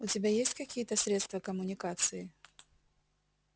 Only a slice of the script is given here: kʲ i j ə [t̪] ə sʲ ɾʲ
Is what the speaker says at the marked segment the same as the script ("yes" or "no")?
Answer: yes